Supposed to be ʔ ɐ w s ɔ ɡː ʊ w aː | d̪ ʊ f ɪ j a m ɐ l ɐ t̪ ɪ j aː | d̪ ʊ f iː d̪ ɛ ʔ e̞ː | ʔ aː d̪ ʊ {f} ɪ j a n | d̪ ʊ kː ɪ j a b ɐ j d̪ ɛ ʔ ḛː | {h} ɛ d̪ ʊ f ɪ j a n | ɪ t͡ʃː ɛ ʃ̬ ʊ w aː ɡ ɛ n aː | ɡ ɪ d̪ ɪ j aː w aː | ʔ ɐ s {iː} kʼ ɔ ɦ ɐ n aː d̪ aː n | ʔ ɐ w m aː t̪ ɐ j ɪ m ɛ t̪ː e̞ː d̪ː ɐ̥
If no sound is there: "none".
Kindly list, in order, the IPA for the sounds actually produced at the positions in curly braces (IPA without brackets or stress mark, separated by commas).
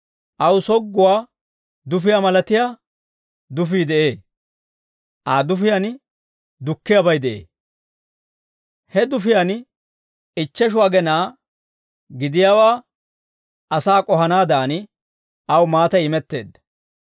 f, h, aː